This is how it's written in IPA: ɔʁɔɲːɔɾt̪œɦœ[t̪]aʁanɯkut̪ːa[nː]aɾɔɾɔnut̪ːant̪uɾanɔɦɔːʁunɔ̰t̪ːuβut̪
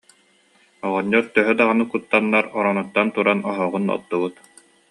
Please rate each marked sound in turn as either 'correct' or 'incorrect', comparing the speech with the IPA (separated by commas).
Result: incorrect, correct